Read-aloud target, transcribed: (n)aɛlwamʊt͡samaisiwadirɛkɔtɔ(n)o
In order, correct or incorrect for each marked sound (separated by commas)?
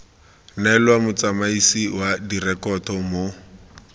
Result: correct, incorrect